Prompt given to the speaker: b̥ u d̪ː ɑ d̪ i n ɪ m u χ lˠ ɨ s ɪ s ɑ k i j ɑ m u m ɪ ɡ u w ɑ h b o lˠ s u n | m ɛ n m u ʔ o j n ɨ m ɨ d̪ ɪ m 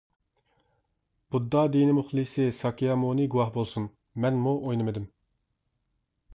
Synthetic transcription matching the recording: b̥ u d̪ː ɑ d̪ i n ɪ m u χ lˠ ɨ s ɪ s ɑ k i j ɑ m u n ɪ ɡ u w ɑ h b o lˠ s u n | m ɛ n m u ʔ o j n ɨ m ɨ d̪ ɪ m